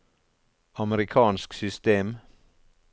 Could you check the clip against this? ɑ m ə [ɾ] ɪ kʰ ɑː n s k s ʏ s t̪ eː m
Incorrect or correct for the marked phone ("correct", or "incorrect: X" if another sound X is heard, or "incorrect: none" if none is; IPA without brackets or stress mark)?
correct